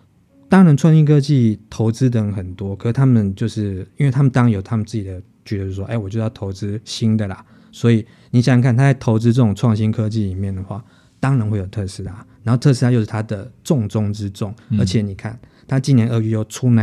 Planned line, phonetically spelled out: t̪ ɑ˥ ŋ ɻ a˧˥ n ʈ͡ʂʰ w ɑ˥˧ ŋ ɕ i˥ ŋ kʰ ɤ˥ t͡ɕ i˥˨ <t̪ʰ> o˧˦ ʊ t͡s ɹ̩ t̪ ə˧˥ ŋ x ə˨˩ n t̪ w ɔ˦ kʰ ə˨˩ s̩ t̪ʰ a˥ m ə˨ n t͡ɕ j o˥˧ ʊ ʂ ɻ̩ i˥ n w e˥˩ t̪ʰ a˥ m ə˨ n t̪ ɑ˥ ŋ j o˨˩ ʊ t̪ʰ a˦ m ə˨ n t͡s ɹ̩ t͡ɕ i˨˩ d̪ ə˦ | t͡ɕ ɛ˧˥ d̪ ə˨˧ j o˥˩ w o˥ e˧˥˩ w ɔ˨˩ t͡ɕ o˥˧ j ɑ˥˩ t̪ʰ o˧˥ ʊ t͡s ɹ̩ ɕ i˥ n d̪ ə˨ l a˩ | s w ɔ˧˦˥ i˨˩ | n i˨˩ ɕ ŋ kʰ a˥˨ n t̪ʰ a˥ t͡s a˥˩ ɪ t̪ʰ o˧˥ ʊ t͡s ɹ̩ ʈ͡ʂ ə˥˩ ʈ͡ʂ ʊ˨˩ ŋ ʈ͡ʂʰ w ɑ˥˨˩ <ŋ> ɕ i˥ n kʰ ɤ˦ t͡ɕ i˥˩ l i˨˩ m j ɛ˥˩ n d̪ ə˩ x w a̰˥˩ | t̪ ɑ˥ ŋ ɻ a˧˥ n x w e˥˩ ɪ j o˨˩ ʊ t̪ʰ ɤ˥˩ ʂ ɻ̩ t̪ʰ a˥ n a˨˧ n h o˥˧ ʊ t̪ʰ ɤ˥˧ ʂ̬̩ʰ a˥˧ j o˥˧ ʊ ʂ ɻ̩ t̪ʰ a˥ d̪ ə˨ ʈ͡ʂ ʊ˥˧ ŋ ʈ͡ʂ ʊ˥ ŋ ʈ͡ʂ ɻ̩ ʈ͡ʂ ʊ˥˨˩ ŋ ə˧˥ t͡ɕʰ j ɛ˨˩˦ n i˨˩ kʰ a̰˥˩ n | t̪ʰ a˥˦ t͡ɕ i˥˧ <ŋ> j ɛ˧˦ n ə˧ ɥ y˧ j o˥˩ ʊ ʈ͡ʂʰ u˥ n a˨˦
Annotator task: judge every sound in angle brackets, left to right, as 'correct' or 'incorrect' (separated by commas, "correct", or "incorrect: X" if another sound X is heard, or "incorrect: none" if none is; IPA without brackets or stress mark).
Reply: correct, correct, incorrect: n